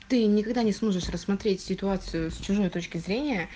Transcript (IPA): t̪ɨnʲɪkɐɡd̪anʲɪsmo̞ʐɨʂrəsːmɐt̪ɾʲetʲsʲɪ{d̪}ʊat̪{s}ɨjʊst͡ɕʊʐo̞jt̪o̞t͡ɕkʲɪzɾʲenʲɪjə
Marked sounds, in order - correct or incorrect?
incorrect: t̪, correct

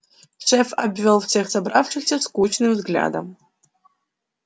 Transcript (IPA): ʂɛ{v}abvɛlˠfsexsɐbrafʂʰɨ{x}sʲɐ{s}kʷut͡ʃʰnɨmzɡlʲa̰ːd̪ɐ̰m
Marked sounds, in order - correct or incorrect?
incorrect: f, correct, correct

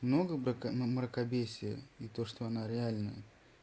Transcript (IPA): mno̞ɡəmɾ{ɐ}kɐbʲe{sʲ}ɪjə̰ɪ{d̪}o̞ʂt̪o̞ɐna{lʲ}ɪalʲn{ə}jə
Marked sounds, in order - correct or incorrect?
incorrect: ə, correct, incorrect: t̪, incorrect: ɾʲ, correct

